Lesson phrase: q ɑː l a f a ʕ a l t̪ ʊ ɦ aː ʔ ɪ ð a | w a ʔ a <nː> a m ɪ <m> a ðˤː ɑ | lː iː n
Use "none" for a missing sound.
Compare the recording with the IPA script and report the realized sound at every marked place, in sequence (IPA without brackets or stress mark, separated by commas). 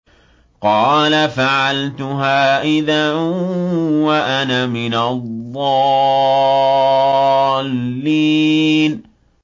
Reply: n, n